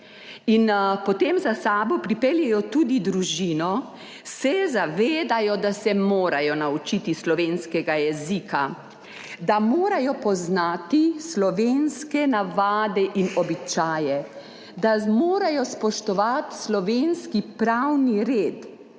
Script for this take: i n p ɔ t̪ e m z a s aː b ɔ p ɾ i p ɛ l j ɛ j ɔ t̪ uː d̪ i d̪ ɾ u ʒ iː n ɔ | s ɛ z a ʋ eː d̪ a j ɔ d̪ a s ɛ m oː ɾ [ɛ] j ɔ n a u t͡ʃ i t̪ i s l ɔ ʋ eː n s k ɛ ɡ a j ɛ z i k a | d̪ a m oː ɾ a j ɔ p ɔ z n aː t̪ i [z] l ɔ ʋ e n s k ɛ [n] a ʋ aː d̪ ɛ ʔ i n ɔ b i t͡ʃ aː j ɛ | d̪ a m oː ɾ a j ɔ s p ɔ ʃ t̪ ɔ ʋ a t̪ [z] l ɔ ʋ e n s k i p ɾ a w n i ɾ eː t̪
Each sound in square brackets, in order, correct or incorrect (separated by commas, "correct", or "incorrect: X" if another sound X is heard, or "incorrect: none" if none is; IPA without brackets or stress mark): incorrect: a, incorrect: s, correct, incorrect: s